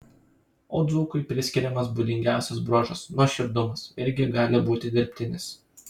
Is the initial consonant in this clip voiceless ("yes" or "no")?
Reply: no